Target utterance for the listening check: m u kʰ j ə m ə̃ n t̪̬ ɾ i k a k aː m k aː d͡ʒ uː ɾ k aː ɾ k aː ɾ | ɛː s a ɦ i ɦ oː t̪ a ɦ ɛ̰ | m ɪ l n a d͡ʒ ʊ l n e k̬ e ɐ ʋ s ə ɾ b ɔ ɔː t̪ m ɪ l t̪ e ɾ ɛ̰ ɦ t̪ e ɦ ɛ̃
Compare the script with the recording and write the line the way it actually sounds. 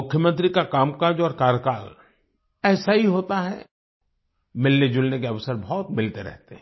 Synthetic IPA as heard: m ʊ kʰ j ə m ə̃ n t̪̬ ɾ i k a k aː m k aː d͡ʒ ɔː ɾ k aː ɾ k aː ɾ | ɛː s a ɦ i ɦ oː t̪ a ɦ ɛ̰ | m ɪ l n e d͡ʒ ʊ l n e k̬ e ɐ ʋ s ə ɾ b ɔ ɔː t̪ m ɪ l t̪ e ɾ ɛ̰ ɦ t̪ e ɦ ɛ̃